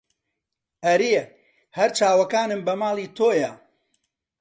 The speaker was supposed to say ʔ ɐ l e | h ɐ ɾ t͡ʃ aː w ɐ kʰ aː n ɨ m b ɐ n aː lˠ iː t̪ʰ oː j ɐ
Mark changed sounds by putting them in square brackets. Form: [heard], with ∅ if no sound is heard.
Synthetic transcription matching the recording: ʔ ɐ [ɾ] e | h ɐ ɾ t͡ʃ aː w ɐ [k] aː n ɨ m b ɐ [m] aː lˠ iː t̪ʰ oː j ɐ